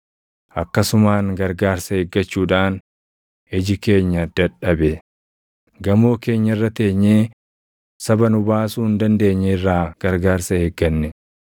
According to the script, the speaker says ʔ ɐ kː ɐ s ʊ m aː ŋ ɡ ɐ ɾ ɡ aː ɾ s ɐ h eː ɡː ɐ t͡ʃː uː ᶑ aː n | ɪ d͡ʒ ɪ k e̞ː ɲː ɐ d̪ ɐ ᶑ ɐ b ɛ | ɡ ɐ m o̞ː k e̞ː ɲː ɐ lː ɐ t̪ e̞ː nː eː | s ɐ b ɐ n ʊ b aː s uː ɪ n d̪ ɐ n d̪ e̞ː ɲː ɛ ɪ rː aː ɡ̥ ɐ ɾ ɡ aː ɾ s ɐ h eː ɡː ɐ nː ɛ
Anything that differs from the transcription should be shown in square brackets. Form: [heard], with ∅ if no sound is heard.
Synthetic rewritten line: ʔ ɐ kː ɐ s ʊ m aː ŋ ɡ ɐ ɾ ɡ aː ɾ s ɐ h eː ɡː ɐ t͡ʃː uː ᶑ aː n | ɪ d͡ʒ ɪ k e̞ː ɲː ɐ d̪ ɐ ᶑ ɐ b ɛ | ɡ ɐ m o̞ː k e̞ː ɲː ɐ [rː] ɐ t̪ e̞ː [ɲː] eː | s ɐ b ɐ n ʊ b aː s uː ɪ n d̪ ɐ n d̪ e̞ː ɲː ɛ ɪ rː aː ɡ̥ ɐ ɾ ɡ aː ɾ s ɐ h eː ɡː ɐ nː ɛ